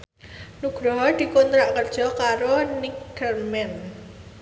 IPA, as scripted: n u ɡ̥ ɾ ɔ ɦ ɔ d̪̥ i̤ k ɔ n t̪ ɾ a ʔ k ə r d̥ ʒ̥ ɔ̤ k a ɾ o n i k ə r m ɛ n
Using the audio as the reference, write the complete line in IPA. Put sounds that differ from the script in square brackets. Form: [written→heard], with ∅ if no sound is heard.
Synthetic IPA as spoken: n u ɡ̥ ɾ ɔ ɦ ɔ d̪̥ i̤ k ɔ n t̪ ɾ a ʔ k ə r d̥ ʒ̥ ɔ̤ k a ɾ o n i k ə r m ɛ n

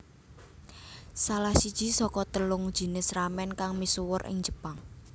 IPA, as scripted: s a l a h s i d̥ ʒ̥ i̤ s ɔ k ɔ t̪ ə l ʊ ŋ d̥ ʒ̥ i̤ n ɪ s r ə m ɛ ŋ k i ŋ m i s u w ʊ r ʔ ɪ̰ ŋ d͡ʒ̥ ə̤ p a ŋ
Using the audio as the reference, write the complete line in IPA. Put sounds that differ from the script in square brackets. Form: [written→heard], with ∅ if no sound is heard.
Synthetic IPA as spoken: s a l a h s i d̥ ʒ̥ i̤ s ɔ k ɔ t̪ ə l ʊ ŋ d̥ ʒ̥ i̤ n ɪ s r [ə→a] m ɛ [ŋ→n] k [i→a] ŋ m i s u w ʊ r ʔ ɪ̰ ŋ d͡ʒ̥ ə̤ p a ŋ

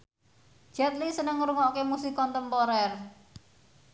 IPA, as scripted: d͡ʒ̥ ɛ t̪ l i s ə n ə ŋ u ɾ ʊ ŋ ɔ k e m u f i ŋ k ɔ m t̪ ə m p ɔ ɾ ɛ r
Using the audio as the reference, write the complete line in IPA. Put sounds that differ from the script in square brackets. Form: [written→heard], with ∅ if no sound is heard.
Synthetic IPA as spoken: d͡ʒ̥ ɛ t̪ l i s ə n ə ŋ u ɾ [ʊ→u] ŋ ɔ k e m u [f→s] i [ŋ→∅] k ɔ [m→n] t̪ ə m p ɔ ɾ ɛ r

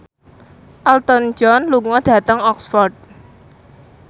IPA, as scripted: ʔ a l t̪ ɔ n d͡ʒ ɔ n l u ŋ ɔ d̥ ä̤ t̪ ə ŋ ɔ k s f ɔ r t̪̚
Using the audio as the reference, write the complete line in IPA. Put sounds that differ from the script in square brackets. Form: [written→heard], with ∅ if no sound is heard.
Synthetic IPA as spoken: ʔ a l t̪ ɔ n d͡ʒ ɔ n l u ŋ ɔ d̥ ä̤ t̪ ə ŋ ɔ k s f ɔ r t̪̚

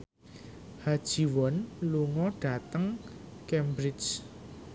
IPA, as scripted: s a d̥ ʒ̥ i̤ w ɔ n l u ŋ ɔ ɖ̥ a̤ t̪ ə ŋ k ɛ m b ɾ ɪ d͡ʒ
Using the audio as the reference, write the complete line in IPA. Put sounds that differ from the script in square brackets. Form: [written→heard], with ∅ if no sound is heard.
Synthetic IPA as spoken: [s→h] a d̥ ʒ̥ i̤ w ɔ n l u ŋ ɔ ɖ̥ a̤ t̪ ə ŋ k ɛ m b ɾ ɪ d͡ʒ

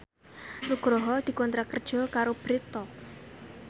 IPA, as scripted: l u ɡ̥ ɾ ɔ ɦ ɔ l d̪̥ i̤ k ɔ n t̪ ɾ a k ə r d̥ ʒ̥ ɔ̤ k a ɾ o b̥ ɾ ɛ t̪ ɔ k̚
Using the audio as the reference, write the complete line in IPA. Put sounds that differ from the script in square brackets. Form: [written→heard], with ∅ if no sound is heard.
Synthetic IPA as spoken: l u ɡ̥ ɾ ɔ ɦ ɔ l d̪̥ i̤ k ɔ n t̪ ɾ a k ə r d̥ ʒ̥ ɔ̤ k a ɾ o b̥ ɾ [ɛ→i] t̪ ɔ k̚

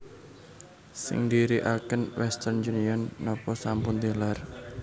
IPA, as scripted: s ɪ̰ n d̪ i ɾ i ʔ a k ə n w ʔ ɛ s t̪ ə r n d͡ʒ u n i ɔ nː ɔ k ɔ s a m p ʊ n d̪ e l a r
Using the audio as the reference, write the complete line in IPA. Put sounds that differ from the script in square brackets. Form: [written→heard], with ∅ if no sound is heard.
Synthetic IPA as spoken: s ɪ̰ [n→ŋ] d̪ i ɾ i ʔ a k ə n w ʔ ɛ s t̪ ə r n d͡ʒ u n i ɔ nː ɔ [k→p] ɔ s a m p ʊ n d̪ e l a r

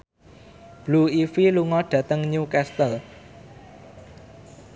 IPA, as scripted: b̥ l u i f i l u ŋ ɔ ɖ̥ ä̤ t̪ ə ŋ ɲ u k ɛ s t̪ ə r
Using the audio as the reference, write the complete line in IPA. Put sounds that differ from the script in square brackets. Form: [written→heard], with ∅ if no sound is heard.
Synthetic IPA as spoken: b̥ l u i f i l u ŋ ɔ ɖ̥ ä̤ t̪ ə ŋ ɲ u k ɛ s t̪ ə [r→l]

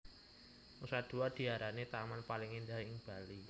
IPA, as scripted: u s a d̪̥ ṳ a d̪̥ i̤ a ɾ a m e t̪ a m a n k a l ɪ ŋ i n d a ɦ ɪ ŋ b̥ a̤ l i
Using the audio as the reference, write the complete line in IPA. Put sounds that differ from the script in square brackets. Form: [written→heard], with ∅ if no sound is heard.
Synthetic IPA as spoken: u s a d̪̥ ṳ a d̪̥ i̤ a ɾ a [m→n] e t̪ a m a n [k→p] a l ɪ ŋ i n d a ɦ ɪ ŋ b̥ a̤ l i

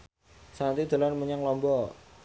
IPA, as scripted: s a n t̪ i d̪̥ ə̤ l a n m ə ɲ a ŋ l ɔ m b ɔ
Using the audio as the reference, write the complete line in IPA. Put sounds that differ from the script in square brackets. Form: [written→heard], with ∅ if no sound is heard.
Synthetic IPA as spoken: s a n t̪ i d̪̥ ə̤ l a n m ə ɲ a ŋ l ɔ m b ɔ

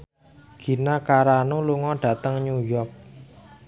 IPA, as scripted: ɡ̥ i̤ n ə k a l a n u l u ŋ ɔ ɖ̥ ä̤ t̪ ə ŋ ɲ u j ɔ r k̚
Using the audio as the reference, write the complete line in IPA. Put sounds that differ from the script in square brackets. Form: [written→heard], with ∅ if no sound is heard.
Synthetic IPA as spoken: ɡ̥ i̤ n [ə→a] k a [l→ɾ] a n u l u ŋ ɔ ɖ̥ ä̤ t̪ ə ŋ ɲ u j ɔ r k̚

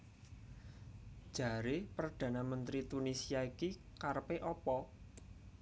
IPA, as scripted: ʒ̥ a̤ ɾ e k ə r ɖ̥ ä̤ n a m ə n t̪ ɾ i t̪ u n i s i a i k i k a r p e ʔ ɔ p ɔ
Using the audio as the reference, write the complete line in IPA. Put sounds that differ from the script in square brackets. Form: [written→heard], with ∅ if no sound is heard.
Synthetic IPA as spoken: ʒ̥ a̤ ɾ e [k→p] ə r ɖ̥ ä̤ n a m ə n t̪ ɾ i t̪ u n i s i a i k i k a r p e ʔ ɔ p ɔ

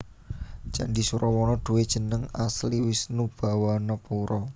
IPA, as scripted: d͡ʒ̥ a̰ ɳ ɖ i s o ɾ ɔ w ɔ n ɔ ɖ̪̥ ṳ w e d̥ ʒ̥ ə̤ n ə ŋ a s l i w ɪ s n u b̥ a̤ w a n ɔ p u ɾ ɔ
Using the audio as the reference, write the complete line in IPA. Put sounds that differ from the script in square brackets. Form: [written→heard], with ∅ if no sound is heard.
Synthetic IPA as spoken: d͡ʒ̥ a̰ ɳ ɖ i s [o→u] ɾ ɔ w ɔ n ɔ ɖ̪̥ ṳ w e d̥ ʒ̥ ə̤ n ə ŋ a s l i w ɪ s n u b̥ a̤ w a n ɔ p u ɾ ɔ

